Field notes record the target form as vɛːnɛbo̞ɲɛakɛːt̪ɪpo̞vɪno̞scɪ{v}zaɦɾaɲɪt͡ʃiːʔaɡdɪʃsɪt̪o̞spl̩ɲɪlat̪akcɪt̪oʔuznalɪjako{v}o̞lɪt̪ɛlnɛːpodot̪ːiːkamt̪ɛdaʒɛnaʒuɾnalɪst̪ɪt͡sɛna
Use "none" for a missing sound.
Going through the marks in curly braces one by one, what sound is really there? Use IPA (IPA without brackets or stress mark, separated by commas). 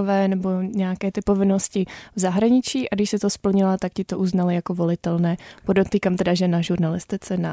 v, v